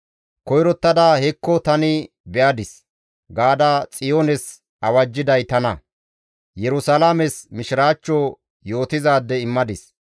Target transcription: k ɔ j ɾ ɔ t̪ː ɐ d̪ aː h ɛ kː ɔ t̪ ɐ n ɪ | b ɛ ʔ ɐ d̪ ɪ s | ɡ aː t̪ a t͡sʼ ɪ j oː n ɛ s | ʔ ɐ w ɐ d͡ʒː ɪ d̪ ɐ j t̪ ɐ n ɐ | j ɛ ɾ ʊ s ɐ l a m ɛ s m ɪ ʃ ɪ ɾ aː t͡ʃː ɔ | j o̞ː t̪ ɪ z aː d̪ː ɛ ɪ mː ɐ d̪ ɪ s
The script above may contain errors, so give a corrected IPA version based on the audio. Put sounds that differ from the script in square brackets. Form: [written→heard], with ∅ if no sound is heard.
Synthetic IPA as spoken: k ɔ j ɾ ɔ t̪ː ɐ d̪ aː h ɛ kː ɔ t̪ ɐ n ɪ | b ɛ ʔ ɐ d̪ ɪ s | ɡ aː [t̪→d̪] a t͡sʼ ɪ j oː n ɛ s | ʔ ɐ w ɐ d͡ʒː ɪ d̪ ɐ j t̪ ɐ n ɐ | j ɛ ɾ ʊ s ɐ l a m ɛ s m ɪ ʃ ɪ ɾ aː t͡ʃː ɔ | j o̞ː t̪ ɪ z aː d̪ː ɛ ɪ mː ɐ d̪ ɪ s